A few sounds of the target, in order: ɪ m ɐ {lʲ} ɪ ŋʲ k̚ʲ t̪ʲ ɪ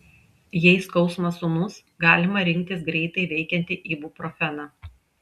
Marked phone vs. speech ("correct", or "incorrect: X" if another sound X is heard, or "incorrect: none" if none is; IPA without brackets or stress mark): incorrect: ɾʲ